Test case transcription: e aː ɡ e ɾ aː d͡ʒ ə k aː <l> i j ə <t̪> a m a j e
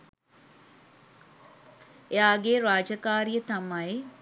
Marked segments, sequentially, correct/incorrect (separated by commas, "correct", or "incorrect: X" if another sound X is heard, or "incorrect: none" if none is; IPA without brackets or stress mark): incorrect: ɾ, correct